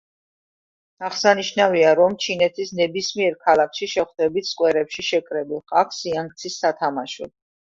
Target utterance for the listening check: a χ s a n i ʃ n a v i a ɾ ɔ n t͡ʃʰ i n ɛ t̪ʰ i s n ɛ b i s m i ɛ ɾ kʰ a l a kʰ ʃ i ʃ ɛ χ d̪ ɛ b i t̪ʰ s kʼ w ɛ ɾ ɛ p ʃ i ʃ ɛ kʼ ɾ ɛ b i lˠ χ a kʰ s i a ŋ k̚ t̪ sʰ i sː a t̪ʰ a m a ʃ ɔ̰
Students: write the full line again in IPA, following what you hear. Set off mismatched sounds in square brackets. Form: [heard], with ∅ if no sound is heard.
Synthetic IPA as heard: a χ s a n i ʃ n a v i a ɾ ɔ [m] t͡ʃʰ i n ɛ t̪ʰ i s n ɛ b i s m i ɛ ɾ kʰ a l a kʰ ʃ i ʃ ɛ χ d̪ ɛ b i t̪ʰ s kʼ w ɛ ɾ ɛ p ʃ i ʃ ɛ kʼ ɾ ɛ b i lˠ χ a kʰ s i a ŋ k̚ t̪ sʰ i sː a t̪ʰ a m a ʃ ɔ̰